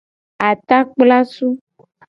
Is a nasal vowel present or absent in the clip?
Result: absent